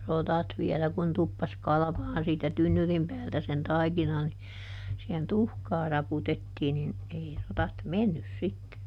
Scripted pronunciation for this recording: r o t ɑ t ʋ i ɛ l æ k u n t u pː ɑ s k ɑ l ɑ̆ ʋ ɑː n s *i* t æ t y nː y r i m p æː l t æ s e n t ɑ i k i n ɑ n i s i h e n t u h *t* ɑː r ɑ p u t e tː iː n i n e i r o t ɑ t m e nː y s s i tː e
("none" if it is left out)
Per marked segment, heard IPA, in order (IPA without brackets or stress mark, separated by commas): iː, k